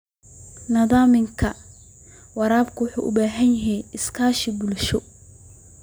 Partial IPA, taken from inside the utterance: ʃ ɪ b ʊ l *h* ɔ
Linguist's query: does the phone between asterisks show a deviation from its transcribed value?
yes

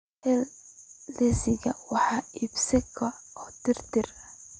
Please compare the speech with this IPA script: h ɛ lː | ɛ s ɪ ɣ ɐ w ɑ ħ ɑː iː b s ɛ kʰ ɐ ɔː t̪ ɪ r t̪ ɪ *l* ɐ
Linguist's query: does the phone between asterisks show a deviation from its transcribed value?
yes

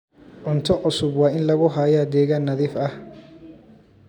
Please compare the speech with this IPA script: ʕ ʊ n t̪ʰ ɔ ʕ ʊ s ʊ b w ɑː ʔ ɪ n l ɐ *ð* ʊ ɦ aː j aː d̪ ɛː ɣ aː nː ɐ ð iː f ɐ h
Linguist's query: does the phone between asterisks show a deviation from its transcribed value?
yes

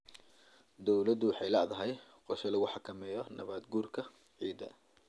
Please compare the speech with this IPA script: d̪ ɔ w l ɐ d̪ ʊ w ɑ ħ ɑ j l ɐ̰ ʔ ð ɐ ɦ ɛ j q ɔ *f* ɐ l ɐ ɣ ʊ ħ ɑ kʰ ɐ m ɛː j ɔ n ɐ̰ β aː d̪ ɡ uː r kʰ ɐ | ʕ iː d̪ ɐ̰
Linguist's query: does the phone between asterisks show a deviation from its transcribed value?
yes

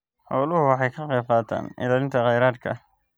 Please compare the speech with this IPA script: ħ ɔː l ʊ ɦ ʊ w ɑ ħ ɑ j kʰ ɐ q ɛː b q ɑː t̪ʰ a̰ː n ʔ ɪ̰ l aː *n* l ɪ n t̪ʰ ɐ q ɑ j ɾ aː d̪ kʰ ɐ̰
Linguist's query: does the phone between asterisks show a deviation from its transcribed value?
yes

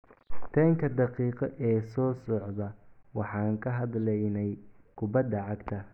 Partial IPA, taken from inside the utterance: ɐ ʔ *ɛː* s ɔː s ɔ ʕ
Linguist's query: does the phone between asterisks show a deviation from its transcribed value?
no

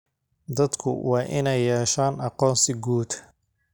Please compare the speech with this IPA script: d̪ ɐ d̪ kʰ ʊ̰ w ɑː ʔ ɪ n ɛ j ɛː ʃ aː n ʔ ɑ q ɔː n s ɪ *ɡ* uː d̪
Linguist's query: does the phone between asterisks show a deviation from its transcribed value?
no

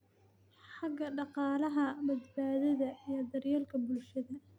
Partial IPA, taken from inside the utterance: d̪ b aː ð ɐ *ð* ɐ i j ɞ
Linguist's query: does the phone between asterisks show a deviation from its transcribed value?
no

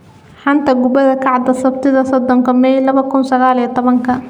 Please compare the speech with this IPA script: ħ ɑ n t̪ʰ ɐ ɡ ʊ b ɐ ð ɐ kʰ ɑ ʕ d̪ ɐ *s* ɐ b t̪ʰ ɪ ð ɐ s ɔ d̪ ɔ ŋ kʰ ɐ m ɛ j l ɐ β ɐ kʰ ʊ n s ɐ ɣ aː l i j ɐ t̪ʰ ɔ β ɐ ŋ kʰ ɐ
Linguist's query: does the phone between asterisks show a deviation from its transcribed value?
no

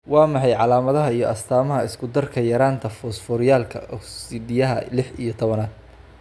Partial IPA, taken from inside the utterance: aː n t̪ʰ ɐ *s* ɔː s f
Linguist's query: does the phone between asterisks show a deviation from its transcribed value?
yes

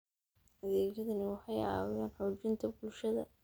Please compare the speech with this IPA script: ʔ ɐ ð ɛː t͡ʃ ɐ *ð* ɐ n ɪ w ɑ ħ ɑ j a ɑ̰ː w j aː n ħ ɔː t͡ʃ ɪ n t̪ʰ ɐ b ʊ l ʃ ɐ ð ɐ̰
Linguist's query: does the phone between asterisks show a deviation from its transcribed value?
no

